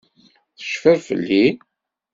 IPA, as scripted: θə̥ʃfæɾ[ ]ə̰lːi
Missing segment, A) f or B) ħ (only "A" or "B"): A